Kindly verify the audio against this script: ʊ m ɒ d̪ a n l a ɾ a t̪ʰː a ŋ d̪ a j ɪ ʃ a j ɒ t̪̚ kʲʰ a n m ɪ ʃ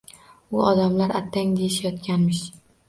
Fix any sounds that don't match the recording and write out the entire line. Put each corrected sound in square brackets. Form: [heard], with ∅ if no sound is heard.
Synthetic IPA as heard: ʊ [∅] ɒ d̪ a [m] l a ɾ a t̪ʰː a ŋ d̪ [e] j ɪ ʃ a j ɒ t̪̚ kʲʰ a n m ɪ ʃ